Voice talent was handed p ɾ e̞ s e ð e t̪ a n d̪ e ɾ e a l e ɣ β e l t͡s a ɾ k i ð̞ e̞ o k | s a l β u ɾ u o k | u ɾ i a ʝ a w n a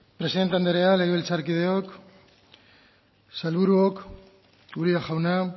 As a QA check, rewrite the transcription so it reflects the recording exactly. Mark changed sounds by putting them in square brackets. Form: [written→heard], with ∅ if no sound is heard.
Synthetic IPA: p ɾ e̞ s [e→i] ð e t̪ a n d̪ e ɾ e a l e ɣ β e l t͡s a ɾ k i ð̞ e̞ o k | s a l β u ɾ u o k | u ɾ i a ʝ a w n a